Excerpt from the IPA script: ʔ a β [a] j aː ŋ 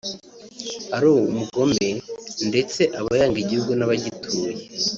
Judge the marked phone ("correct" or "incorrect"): correct